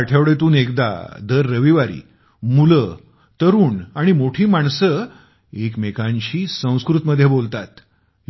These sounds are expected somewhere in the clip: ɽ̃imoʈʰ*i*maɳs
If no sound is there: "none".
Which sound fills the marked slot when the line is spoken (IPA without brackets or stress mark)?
iː